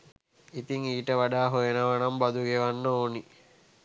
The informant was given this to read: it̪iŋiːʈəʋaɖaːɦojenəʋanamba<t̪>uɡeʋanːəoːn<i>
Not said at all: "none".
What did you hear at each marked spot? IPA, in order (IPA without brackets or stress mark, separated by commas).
d̪, i